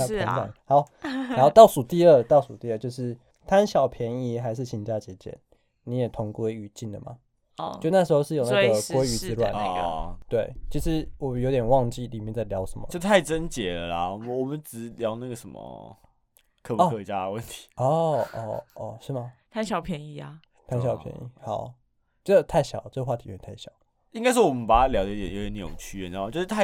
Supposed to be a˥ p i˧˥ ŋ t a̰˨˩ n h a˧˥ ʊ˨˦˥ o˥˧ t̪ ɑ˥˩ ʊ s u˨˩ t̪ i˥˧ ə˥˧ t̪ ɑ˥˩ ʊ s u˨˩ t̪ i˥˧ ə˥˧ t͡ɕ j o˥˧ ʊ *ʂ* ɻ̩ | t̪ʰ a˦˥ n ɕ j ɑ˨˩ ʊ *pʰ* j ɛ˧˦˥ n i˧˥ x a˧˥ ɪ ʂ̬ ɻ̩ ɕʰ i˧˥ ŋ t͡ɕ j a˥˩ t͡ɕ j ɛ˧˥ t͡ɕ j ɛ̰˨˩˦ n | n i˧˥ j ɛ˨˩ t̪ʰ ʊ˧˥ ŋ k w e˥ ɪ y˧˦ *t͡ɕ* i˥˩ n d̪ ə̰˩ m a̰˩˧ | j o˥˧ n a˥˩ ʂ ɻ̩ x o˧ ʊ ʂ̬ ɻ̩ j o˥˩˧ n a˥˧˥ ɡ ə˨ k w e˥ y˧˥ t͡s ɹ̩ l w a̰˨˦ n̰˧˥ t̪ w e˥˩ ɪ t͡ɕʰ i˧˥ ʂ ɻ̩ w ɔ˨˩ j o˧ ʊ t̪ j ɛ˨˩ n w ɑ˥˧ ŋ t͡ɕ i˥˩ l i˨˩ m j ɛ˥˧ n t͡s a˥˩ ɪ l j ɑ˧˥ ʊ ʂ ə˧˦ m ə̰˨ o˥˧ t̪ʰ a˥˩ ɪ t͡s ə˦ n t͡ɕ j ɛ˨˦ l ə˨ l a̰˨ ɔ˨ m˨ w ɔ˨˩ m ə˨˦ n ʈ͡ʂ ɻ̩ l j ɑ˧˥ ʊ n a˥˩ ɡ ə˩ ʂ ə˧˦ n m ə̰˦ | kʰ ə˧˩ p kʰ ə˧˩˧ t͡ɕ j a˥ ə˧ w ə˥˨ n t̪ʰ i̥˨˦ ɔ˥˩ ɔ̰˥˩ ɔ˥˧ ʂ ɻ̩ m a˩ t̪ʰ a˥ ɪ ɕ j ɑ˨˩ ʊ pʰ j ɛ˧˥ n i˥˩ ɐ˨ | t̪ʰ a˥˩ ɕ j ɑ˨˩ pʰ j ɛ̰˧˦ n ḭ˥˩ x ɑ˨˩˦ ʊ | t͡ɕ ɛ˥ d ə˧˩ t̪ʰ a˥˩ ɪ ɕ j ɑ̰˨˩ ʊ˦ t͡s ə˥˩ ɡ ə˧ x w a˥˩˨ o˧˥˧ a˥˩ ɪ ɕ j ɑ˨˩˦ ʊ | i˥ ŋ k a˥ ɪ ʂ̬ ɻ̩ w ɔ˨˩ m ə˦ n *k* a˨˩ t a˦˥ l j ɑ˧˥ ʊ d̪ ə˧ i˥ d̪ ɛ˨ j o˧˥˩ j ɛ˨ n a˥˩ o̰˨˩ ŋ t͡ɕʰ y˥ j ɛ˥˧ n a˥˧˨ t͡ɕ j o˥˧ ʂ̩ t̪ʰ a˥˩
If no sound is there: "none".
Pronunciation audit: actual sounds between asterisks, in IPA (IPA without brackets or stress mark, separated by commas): ʂ, pʰ, t͡ɕ, p